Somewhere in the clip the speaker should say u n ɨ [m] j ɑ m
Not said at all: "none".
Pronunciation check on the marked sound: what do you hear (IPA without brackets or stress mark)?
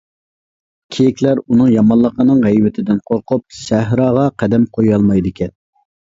ŋ